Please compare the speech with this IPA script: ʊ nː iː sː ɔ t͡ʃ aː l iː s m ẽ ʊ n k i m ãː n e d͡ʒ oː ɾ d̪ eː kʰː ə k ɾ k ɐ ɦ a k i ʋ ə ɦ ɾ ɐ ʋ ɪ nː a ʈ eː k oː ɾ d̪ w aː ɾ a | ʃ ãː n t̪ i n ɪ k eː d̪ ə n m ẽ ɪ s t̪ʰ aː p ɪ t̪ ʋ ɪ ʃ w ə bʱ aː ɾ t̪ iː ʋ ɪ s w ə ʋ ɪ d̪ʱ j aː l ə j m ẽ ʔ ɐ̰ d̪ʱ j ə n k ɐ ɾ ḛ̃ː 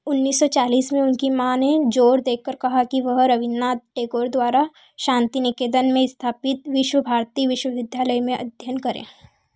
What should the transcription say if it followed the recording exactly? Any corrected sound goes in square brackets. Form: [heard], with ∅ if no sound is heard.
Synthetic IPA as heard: ʊ nː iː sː ɔ t͡ʃ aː l iː s m ẽ ʊ n k i m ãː n e d͡ʒ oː ɾ d̪ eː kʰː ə [∅] ɾ k ɐ ɦ a k i ʋ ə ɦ ɾ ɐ ʋ ɪ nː a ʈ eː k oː ɾ d̪ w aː ɾ a | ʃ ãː n t̪ i n ɪ k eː d̪ ə n m ẽ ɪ s t̪ʰ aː p ɪ t̪ ʋ ɪ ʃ w ə bʱ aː ɾ t̪ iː ʋ ɪ [ʃ] w ə ʋ ɪ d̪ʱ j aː l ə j m ẽ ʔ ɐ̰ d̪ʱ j ə n k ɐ ɾ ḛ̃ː